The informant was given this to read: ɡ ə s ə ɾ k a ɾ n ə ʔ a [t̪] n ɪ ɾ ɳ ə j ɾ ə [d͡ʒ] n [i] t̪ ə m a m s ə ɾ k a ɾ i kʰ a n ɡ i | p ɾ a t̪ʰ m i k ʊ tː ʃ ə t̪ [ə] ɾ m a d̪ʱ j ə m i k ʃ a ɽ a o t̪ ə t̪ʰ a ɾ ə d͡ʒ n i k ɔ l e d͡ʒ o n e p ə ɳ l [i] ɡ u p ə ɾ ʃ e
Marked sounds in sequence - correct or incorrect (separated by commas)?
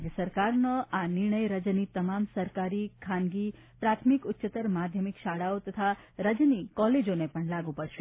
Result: incorrect, correct, correct, correct, incorrect